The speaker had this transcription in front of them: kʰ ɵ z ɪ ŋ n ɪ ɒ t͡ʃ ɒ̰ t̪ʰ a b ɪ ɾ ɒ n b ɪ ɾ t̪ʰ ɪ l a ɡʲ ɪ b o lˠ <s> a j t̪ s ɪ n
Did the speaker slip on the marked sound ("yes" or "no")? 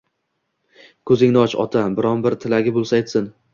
no